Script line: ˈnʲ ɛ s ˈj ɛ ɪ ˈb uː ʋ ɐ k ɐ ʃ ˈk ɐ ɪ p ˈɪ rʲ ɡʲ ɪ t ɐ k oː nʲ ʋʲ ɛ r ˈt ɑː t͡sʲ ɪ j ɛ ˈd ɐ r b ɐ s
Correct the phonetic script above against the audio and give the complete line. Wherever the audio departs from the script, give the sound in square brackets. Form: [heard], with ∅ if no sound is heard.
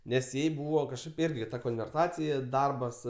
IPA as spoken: ˈnʲ ɛ s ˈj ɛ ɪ ˈb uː ʋ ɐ k ɐ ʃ ˈk ɐ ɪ p ˈɪ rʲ ɡʲ ɪ t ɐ k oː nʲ ʋʲ ɛ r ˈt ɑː t͡sʲ ɪ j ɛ ˈd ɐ r b ɐ s